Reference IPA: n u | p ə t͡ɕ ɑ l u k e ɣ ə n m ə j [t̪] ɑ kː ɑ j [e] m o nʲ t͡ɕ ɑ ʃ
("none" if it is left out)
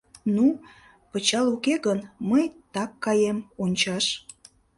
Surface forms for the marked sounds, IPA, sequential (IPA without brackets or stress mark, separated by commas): t̪, e